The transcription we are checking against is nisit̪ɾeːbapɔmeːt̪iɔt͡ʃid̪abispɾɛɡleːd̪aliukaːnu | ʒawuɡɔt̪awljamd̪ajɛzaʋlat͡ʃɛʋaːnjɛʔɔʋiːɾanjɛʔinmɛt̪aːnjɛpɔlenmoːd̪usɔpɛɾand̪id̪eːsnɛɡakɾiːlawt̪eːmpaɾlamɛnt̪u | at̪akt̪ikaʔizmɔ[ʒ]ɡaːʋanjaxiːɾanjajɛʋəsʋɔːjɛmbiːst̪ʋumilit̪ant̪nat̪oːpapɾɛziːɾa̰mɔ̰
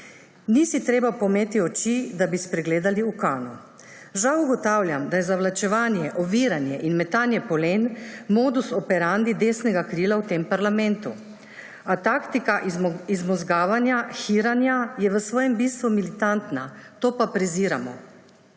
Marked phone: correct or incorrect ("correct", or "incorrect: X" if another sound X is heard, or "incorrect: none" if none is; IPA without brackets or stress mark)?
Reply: incorrect: z